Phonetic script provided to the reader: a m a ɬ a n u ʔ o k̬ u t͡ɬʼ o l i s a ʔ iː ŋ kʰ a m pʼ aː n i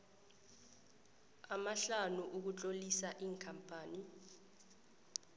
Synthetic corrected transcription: a m a ɬ a n u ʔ u k̬ u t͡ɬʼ o l i s a ʔ iː ŋ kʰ a m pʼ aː n i